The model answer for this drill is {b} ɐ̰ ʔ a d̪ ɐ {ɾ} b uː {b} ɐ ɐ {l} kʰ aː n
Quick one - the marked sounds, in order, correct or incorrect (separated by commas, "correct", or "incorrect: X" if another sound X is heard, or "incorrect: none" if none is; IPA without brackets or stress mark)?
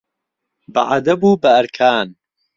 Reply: correct, incorrect: none, correct, incorrect: ɾ